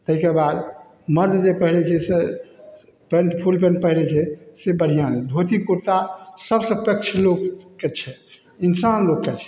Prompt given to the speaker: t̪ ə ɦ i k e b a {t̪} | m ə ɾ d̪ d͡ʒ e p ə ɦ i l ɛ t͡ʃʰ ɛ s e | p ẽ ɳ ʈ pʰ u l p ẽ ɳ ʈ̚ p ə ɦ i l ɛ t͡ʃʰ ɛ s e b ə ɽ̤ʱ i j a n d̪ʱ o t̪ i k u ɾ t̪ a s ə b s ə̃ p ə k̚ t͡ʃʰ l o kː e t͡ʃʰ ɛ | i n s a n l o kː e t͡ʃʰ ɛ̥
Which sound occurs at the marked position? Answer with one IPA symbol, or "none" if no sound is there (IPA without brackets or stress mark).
d̪